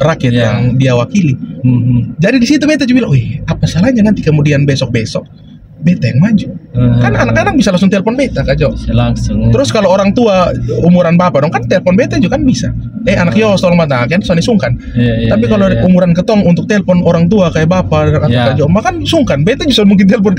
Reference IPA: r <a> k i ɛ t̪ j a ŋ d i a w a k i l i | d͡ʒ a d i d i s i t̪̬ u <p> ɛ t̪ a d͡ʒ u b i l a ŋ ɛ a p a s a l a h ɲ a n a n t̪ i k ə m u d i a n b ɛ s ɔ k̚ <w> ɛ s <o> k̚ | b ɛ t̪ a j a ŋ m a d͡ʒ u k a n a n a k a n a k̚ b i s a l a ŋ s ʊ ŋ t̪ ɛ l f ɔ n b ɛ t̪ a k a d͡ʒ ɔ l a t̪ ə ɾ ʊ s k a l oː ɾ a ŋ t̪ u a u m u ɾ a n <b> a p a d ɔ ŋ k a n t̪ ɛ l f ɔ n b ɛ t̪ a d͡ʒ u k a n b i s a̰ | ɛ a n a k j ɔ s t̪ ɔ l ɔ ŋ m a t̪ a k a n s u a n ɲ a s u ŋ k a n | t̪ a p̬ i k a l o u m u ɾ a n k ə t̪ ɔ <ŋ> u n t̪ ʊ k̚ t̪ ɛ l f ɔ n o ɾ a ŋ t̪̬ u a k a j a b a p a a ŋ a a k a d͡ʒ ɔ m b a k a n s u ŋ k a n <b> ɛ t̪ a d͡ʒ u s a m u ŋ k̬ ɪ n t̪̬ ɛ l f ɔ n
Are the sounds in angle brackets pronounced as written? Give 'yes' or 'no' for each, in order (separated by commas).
yes, no, no, no, yes, yes, yes